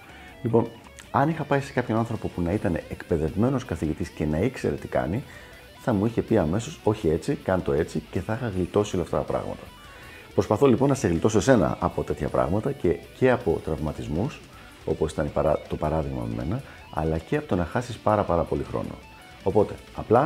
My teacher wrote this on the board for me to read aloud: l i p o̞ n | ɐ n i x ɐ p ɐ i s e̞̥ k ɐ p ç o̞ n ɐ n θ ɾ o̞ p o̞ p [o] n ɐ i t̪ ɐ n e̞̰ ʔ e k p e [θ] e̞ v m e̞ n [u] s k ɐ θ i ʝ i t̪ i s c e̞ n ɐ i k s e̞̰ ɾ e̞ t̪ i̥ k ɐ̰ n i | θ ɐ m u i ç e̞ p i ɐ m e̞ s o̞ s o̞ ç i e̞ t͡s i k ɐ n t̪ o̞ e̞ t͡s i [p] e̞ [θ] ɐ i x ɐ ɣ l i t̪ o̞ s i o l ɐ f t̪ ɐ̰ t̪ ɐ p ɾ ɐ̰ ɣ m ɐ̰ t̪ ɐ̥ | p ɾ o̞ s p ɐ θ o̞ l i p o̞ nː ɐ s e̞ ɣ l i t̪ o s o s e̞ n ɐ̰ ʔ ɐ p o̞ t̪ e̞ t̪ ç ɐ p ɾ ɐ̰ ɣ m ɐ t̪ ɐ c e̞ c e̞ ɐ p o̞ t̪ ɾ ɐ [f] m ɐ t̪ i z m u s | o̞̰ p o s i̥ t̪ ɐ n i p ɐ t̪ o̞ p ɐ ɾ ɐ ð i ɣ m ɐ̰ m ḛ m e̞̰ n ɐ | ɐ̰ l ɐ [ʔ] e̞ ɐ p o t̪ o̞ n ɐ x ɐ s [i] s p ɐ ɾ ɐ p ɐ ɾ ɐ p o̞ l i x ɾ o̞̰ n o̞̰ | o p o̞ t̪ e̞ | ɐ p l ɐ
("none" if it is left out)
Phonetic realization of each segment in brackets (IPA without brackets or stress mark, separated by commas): u, ð, o, c, θ, v, c, i